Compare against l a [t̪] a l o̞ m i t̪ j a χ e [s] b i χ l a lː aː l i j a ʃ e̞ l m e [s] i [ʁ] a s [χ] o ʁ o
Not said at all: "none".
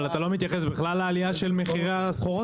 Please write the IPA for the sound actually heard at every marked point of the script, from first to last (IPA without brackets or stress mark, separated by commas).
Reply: t̪, s, χ, ʁ, χ